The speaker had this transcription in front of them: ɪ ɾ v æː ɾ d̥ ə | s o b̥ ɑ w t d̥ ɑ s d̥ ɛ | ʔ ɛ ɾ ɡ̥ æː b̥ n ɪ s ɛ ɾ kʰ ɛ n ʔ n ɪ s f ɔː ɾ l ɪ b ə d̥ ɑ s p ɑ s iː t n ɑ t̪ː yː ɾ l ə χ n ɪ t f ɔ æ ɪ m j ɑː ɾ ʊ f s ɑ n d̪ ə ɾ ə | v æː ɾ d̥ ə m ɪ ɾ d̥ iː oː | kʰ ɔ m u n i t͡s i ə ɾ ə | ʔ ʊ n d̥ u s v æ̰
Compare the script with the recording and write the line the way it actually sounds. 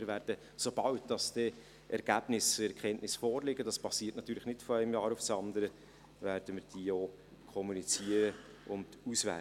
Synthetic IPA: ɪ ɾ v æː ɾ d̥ ə | s o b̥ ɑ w t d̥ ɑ s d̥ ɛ | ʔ ɛ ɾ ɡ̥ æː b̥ n ɪ s ɛ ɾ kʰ ɛ n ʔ n ɪ s f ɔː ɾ l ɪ ɡ ə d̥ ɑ s p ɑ s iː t n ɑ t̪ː yː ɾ l ə χ n ɪ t f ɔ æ ɪ m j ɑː ɾ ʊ f s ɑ n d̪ ə ɾ ə | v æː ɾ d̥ ə m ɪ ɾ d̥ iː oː | kʰ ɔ m u n i t͡s i ə ɾ ə | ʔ ʊ n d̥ u s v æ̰